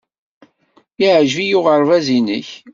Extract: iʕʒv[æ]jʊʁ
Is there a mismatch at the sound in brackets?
yes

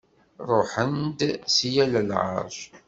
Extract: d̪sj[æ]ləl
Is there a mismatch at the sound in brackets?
no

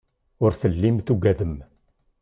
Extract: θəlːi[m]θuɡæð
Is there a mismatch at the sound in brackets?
no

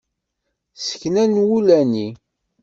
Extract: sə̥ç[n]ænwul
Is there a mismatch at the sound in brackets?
no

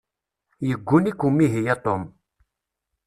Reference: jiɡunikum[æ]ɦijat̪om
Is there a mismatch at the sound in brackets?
yes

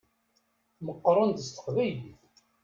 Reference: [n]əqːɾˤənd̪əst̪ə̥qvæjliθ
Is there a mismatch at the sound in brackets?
yes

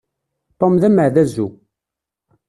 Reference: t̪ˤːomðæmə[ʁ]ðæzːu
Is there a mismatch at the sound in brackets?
yes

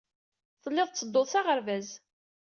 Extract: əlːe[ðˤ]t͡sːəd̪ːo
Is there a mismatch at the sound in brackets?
no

